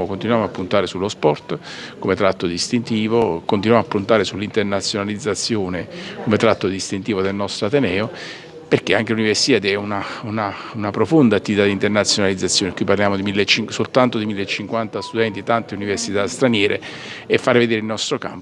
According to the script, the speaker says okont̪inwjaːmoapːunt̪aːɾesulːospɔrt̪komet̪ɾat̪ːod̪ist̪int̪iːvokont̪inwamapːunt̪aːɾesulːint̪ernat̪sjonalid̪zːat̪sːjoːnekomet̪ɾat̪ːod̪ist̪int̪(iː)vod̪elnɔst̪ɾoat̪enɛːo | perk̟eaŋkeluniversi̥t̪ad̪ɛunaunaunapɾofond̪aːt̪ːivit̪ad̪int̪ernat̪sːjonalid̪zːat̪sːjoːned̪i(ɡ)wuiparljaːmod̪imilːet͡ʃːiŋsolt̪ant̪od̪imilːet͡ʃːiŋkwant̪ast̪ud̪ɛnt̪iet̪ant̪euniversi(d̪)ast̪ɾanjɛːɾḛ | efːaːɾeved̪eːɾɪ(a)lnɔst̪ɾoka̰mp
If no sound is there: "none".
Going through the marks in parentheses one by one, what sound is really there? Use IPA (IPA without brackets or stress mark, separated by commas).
iː, k, t̪, i